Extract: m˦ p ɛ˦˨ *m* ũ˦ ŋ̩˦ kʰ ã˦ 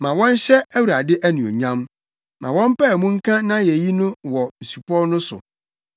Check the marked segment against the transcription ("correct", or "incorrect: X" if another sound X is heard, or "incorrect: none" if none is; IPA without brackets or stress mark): correct